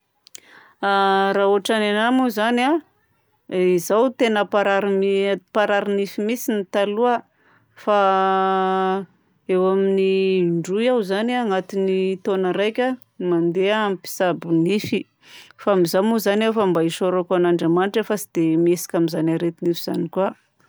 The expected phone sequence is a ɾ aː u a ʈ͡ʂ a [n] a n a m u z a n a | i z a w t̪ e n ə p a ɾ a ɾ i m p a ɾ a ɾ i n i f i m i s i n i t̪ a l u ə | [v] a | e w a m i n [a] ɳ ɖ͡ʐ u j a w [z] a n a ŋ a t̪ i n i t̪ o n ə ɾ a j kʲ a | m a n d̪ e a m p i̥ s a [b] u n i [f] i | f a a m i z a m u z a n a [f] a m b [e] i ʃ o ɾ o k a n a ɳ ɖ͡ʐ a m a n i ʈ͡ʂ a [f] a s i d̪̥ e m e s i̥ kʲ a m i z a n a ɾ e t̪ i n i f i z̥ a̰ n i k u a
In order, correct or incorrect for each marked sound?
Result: correct, incorrect, incorrect, correct, correct, correct, correct, incorrect, correct

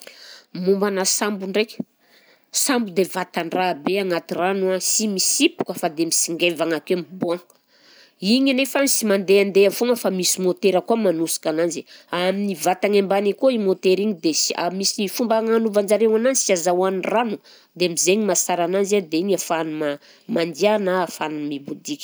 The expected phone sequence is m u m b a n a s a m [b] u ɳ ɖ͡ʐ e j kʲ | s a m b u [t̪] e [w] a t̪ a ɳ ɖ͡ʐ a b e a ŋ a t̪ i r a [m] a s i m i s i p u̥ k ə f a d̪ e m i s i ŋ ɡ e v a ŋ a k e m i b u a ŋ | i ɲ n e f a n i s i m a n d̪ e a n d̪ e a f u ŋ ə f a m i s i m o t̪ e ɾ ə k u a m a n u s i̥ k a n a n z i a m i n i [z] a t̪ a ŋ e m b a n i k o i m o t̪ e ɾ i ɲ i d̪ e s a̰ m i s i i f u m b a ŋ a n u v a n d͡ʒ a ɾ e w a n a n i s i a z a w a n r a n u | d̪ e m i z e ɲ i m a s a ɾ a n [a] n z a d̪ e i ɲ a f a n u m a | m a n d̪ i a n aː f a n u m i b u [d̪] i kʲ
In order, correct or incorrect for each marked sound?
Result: correct, incorrect, incorrect, incorrect, incorrect, correct, correct

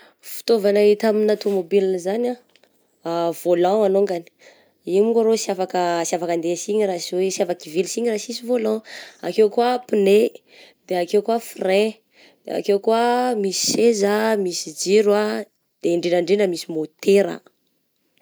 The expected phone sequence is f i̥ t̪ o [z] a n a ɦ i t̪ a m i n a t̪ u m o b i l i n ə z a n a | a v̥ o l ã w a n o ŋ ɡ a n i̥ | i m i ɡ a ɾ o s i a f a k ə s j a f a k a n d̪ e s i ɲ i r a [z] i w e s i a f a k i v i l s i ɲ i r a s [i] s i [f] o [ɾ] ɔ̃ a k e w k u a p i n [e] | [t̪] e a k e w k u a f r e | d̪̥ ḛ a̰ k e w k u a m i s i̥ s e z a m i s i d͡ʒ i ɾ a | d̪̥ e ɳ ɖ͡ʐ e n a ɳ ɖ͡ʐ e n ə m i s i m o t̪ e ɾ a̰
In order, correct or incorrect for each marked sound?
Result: incorrect, incorrect, correct, incorrect, incorrect, correct, incorrect

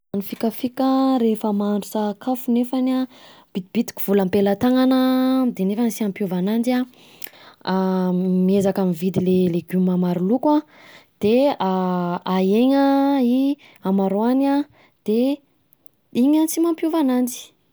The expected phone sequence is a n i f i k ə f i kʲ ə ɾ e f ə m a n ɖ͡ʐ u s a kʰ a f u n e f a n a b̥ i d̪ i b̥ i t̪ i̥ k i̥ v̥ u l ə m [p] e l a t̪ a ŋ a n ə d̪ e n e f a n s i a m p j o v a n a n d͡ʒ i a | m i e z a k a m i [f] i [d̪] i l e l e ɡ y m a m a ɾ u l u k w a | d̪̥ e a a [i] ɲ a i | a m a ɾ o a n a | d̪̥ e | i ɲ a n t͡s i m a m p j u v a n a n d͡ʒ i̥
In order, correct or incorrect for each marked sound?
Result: correct, incorrect, correct, incorrect

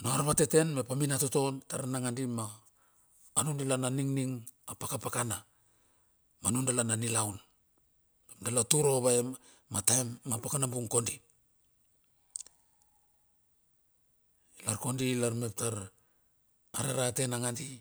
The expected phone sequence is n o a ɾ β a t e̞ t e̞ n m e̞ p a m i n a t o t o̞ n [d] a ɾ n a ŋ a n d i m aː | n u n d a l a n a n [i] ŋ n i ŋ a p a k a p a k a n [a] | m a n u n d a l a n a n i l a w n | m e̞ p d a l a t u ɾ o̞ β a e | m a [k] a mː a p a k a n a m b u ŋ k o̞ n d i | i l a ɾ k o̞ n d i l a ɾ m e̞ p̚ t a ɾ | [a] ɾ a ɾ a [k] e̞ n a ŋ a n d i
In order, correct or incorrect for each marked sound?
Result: incorrect, correct, correct, incorrect, correct, incorrect

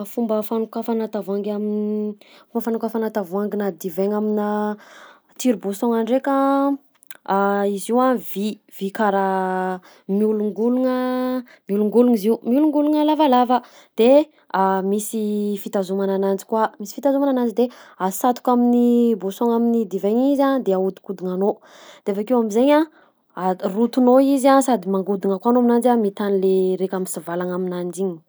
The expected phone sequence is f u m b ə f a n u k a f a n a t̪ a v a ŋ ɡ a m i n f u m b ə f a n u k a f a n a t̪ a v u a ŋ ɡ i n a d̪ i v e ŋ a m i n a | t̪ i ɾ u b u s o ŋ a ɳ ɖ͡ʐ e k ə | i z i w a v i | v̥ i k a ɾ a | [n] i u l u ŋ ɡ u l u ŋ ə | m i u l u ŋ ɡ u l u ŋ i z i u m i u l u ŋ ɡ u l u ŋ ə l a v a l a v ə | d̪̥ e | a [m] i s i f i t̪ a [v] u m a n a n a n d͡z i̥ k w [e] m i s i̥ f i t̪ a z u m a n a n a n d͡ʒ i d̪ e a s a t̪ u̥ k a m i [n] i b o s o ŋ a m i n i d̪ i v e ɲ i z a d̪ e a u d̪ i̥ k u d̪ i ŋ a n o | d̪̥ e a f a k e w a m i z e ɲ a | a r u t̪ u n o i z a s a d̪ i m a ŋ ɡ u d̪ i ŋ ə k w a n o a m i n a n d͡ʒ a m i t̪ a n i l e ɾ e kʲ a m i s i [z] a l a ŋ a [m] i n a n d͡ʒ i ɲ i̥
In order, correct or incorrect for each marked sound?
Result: incorrect, correct, incorrect, incorrect, correct, incorrect, correct

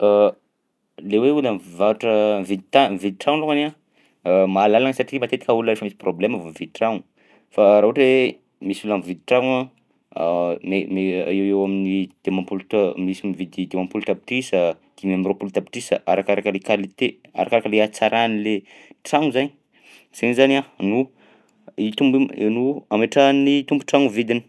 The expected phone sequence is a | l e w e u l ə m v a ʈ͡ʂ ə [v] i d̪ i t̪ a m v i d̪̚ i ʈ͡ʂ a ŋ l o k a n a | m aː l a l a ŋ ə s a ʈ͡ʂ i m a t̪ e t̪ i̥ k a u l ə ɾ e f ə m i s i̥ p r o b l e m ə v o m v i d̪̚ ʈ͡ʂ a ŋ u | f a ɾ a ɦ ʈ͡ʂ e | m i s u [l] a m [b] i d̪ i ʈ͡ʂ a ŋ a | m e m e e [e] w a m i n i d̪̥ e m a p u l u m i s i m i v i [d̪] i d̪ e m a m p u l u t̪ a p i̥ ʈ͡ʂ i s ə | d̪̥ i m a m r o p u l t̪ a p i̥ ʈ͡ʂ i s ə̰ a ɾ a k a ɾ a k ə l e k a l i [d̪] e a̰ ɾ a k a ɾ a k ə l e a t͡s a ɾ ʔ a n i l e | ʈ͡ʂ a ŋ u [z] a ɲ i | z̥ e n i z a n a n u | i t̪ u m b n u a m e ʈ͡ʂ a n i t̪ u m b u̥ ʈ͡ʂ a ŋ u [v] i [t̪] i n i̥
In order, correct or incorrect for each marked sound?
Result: correct, correct, incorrect, correct, correct, incorrect, correct, correct, incorrect

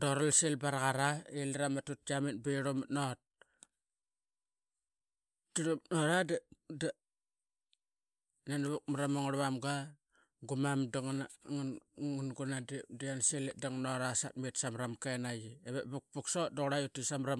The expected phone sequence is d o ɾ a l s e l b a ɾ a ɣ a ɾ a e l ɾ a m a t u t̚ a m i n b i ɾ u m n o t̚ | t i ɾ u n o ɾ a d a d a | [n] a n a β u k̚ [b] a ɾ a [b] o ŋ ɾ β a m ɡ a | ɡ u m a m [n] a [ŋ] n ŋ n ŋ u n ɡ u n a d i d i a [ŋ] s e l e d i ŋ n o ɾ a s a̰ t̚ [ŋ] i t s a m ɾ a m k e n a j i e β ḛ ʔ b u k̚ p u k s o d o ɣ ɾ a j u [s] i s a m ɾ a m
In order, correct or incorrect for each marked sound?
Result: correct, incorrect, incorrect, incorrect, correct, incorrect, incorrect, incorrect

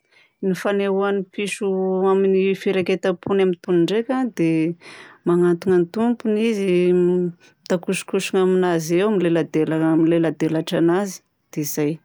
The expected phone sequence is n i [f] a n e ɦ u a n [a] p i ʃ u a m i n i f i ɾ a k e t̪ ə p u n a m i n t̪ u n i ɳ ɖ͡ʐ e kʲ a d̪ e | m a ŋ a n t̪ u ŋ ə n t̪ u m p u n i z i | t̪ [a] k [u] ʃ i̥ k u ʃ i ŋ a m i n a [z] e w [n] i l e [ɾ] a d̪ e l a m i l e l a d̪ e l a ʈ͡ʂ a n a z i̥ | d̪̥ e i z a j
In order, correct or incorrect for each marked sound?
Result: correct, incorrect, correct, correct, correct, incorrect, incorrect

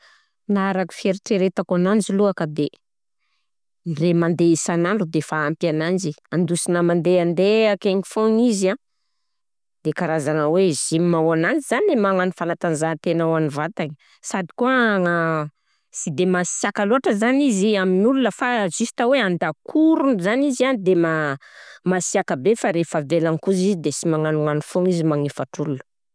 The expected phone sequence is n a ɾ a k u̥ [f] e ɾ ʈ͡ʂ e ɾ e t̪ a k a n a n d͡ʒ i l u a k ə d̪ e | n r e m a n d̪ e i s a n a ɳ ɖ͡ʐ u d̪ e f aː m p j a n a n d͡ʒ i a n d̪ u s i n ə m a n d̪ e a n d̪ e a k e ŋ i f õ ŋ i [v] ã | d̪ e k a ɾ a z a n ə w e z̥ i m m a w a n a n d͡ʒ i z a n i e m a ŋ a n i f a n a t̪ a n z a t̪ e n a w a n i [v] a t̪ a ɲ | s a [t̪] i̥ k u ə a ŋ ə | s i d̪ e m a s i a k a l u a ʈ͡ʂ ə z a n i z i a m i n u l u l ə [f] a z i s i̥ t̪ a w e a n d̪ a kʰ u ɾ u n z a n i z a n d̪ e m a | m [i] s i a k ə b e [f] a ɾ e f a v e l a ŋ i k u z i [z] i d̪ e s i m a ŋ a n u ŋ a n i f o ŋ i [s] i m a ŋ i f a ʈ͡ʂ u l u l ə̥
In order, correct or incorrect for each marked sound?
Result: correct, incorrect, correct, incorrect, correct, incorrect, correct, correct, incorrect

